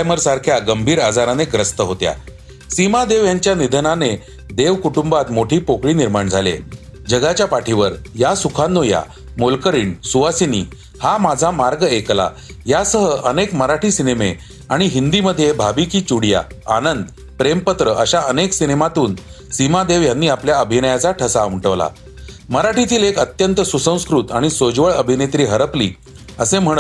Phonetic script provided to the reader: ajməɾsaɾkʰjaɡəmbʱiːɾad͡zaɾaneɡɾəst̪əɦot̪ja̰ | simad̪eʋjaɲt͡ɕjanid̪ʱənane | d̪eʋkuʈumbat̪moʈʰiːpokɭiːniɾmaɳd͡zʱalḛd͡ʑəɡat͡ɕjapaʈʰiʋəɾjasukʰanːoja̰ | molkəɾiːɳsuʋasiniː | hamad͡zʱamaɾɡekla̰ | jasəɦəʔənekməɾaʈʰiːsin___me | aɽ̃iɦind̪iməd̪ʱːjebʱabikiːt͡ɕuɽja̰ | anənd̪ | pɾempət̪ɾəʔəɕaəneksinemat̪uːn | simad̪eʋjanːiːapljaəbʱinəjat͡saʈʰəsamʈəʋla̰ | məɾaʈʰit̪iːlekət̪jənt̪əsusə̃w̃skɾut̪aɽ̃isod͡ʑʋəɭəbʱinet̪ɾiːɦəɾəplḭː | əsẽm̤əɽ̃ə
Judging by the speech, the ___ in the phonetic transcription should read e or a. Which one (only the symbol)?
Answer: e